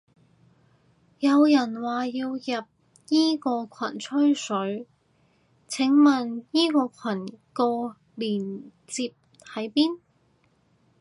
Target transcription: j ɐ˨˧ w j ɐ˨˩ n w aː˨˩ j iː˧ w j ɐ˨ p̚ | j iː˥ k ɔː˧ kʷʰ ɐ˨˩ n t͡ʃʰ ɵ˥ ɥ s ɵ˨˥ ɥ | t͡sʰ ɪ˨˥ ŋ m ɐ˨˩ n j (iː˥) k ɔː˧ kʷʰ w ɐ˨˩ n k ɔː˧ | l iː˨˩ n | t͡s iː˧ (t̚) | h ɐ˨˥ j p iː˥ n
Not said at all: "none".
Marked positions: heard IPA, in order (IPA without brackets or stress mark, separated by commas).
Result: iː˥, p̚